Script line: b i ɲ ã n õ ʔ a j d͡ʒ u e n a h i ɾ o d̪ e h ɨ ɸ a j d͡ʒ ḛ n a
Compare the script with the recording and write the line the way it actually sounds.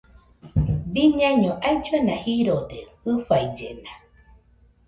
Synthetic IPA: b i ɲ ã ɲ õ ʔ a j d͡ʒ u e n a h i ɾ o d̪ e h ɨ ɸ a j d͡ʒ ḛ n a